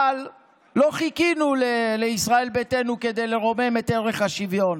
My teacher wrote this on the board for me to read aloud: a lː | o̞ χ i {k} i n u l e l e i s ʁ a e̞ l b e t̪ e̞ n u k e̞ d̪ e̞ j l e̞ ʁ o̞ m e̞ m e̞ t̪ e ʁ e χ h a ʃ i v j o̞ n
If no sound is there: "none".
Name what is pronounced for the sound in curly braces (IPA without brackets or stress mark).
k